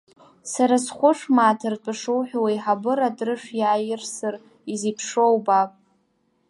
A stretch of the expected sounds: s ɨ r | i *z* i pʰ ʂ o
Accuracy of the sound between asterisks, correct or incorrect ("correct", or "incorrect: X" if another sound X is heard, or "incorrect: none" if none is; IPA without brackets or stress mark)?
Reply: correct